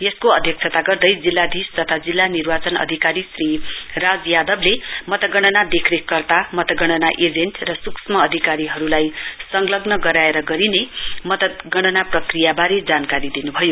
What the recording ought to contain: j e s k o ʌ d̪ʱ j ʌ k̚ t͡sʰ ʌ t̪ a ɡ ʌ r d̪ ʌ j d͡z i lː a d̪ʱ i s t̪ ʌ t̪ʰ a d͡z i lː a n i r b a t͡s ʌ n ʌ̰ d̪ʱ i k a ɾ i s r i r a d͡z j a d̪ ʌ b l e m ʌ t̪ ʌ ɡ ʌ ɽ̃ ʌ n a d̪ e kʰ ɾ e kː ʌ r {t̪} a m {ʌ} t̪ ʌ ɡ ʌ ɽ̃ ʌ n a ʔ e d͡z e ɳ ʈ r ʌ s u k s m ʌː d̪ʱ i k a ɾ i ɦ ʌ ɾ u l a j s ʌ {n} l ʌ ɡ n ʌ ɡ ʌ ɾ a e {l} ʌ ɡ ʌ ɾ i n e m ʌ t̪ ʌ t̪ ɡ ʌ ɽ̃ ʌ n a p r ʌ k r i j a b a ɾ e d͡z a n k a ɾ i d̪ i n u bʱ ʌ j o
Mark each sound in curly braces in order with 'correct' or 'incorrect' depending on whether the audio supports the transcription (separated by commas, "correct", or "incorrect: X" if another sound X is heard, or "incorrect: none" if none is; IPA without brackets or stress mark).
correct, correct, incorrect: ŋ, incorrect: ɾ